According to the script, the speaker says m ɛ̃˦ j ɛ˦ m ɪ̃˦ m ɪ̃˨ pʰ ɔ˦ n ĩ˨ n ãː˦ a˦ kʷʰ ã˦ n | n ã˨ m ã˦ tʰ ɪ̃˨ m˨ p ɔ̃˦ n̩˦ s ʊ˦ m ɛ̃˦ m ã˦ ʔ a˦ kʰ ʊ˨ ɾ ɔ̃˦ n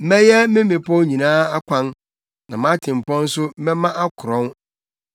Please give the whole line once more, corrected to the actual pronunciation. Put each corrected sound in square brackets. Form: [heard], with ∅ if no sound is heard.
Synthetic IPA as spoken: m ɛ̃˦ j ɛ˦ m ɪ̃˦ m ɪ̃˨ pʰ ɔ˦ [ɲ] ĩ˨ n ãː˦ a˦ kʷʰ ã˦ n | n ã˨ m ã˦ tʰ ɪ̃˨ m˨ p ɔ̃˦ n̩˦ s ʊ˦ m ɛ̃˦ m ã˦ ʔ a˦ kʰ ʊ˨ ɾ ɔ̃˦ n